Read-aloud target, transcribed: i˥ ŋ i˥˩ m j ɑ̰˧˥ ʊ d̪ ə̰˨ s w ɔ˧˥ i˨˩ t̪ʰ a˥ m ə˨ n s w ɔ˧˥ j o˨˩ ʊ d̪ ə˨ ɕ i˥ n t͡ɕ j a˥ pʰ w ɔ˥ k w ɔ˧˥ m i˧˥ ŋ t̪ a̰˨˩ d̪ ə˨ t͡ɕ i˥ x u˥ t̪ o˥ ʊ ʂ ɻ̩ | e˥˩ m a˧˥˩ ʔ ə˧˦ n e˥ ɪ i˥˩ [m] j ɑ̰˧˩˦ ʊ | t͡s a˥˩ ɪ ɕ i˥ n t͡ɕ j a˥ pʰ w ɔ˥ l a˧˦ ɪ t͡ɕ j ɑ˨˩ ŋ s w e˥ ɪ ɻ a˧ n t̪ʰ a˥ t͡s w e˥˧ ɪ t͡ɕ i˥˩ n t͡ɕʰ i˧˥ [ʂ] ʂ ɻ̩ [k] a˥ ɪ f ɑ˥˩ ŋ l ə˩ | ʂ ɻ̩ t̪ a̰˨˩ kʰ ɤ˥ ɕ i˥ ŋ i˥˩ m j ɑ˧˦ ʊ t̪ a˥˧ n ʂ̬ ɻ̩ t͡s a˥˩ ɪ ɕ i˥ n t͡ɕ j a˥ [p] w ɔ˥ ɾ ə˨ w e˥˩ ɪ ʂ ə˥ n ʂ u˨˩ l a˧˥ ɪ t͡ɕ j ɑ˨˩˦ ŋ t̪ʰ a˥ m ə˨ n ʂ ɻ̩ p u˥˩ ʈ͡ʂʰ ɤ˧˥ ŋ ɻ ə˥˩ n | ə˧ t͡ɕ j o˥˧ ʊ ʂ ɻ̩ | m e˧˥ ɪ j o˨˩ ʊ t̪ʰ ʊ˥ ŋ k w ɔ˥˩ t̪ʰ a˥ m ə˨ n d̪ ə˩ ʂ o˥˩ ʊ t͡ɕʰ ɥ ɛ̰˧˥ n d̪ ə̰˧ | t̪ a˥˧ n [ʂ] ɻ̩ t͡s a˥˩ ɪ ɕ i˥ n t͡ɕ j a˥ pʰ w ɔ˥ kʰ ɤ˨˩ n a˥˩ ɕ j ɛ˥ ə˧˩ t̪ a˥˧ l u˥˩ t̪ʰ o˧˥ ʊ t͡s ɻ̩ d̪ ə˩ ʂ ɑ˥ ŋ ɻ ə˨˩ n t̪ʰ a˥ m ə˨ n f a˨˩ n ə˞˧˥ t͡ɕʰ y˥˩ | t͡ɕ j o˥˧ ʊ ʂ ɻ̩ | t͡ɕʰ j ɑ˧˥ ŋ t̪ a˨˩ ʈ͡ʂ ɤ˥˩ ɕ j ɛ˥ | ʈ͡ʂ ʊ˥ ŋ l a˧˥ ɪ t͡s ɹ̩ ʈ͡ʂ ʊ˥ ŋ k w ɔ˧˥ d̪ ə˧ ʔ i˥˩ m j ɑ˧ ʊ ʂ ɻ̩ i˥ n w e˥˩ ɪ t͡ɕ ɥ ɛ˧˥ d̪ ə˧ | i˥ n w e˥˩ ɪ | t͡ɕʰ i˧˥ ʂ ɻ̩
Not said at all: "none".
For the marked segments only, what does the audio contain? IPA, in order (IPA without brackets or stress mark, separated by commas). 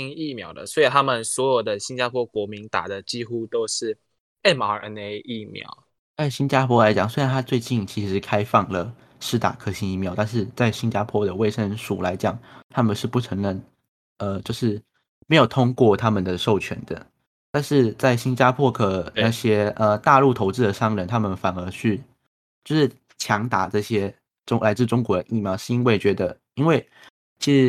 m, ʂ, kʰ, pʰ, ʂ